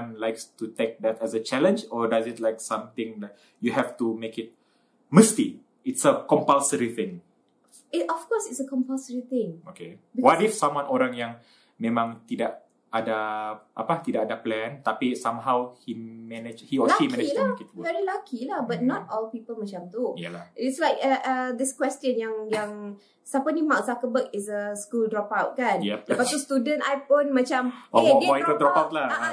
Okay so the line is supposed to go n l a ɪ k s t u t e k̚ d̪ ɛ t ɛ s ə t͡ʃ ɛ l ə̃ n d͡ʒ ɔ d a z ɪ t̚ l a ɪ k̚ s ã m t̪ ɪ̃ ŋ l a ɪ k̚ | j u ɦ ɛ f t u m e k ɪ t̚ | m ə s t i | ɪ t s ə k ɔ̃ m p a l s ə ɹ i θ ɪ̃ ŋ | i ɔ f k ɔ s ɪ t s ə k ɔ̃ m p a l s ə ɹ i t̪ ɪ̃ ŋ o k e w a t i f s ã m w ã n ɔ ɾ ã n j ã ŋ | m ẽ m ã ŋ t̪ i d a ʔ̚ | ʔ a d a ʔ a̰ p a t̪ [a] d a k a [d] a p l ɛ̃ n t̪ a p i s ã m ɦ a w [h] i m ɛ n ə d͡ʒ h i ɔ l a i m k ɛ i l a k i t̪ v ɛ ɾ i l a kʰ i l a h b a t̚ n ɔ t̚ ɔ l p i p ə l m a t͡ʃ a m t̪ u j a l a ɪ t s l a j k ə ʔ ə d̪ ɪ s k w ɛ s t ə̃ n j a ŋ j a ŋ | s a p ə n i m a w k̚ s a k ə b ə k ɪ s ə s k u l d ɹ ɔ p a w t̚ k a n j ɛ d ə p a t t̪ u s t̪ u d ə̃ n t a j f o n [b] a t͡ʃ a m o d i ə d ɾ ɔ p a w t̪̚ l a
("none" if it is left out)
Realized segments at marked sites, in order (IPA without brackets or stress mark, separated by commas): i, d, h, m